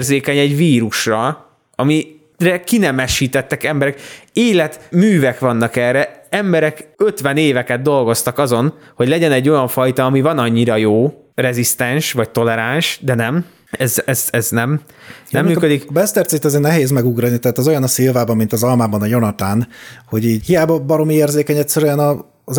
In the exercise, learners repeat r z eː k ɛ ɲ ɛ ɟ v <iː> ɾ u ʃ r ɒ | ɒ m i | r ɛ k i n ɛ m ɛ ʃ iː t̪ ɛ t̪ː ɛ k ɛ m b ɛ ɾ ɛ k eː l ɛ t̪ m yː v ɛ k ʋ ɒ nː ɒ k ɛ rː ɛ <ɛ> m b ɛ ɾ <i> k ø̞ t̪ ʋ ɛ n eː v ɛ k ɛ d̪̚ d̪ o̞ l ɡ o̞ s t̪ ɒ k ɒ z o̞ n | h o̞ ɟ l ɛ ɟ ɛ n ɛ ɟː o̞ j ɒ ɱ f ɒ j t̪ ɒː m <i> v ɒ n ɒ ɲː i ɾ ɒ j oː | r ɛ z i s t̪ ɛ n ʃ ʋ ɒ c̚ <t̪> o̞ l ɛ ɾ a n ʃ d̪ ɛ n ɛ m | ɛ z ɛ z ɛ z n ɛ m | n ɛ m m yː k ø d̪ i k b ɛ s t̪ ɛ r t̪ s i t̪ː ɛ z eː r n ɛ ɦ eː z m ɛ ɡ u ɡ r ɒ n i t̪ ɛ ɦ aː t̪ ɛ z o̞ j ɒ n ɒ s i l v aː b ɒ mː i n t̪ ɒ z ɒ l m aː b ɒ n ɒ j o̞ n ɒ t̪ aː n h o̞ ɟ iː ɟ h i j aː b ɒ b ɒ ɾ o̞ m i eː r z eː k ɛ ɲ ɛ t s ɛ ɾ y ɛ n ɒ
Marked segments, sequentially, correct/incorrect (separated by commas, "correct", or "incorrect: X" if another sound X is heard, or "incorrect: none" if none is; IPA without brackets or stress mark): correct, correct, incorrect: ɛ, correct, correct